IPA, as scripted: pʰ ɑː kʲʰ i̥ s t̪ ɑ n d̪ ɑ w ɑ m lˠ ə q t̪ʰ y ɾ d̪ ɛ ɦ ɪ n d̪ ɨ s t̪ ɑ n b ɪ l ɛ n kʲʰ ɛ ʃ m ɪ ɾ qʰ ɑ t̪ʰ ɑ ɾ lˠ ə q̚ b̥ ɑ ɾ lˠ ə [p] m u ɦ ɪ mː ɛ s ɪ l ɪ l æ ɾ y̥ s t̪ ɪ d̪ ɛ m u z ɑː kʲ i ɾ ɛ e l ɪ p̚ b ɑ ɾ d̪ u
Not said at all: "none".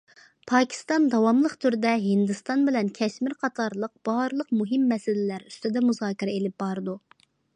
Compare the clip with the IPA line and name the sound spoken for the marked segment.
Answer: q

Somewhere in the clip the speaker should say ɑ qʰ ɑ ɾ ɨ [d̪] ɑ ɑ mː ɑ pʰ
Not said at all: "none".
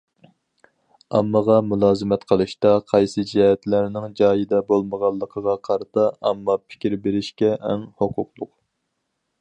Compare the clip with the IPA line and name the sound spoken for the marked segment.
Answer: t̪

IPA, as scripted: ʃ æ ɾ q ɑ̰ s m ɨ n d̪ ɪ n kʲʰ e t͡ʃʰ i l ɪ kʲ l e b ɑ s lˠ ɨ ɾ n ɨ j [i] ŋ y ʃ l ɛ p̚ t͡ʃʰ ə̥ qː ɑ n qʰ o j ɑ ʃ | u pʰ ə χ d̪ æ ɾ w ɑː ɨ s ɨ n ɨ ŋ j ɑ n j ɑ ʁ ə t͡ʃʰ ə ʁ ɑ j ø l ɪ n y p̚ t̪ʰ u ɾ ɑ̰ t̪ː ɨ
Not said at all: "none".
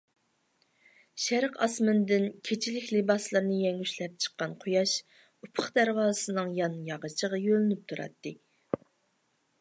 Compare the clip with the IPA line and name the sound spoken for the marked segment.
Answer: ɛ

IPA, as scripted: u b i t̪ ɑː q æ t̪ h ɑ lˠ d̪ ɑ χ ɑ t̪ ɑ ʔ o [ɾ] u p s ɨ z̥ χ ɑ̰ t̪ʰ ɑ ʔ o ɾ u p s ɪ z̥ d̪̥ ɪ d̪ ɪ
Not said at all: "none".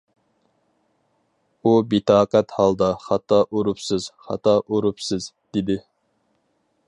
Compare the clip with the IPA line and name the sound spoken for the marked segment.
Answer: ɾ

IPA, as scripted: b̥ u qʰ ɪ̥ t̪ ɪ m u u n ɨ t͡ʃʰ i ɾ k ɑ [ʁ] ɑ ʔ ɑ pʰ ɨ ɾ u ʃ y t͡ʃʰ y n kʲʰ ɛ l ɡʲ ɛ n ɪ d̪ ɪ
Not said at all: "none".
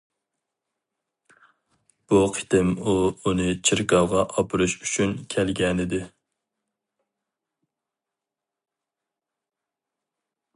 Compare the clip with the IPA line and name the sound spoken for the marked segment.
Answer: ʁ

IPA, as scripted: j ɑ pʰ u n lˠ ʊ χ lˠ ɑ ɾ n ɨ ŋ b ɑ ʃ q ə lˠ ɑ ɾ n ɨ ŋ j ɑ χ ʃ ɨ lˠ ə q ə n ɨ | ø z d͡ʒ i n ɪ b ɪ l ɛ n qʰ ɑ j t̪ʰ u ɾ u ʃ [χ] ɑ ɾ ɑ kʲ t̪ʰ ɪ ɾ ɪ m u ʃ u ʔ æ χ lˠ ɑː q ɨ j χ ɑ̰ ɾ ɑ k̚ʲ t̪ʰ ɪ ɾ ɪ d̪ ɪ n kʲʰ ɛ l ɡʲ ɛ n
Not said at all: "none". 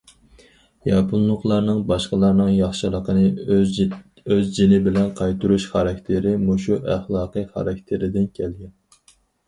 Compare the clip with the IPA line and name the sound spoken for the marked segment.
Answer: χ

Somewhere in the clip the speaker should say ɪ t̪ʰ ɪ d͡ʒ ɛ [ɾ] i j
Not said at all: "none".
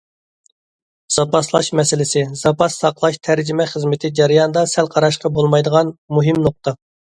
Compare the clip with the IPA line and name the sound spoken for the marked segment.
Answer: ɾ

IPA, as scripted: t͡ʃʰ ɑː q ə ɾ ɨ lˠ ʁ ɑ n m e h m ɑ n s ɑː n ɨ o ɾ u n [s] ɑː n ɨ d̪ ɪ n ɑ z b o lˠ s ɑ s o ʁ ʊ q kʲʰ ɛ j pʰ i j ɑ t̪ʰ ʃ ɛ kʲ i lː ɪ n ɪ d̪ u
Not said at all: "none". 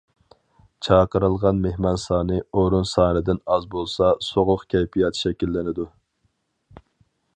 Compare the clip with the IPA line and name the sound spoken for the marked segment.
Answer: s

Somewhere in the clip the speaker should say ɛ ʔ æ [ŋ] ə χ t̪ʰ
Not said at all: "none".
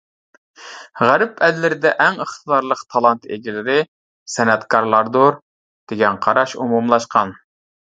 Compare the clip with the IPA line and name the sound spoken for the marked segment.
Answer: ŋ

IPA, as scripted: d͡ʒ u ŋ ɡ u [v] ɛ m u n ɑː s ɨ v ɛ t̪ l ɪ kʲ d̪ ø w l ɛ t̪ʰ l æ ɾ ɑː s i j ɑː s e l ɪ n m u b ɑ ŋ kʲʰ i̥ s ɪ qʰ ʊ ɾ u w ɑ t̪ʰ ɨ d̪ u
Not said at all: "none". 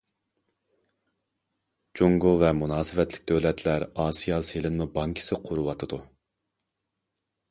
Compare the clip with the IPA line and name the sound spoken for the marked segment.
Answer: v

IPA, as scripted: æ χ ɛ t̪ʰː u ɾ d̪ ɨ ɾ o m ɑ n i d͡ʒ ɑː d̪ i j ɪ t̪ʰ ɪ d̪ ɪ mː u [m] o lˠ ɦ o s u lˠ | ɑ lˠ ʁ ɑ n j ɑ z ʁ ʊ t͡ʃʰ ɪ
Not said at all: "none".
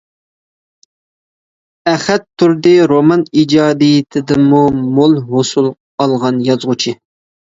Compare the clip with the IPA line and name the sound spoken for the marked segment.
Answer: m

